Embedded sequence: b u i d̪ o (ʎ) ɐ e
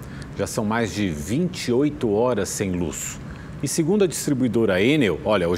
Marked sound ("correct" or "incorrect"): incorrect